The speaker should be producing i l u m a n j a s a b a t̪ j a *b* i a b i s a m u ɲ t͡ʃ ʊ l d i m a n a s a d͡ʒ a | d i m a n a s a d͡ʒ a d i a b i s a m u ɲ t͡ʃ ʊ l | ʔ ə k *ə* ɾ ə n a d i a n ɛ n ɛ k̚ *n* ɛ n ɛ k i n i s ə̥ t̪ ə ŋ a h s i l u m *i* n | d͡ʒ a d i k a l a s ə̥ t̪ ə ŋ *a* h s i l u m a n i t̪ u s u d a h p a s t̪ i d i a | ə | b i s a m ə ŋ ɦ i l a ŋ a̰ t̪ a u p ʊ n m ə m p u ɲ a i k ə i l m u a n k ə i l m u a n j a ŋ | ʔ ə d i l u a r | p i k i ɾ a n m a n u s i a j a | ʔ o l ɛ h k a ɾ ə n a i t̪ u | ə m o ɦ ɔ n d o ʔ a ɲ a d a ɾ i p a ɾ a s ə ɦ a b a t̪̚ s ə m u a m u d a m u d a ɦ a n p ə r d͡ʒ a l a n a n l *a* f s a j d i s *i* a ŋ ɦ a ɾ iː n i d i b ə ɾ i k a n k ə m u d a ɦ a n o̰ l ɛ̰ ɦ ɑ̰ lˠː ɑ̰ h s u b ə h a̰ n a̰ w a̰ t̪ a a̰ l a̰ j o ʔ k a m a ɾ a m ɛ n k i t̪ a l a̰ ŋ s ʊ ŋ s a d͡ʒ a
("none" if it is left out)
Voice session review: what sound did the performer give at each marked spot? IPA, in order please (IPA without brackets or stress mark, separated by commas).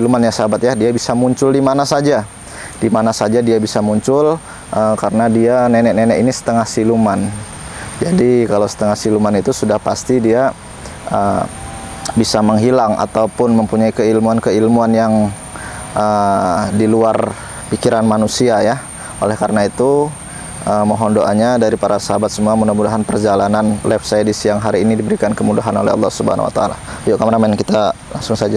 d, a, n, a, a, ɛ, j